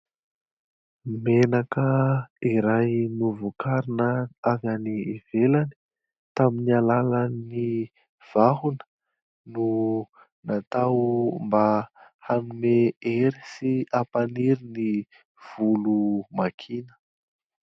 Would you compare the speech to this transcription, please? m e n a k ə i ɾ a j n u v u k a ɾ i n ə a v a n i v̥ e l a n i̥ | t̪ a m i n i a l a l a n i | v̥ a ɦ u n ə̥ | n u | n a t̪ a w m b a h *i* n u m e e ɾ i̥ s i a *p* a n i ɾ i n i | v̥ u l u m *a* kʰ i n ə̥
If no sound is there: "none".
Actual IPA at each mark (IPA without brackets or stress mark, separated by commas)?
a, p, a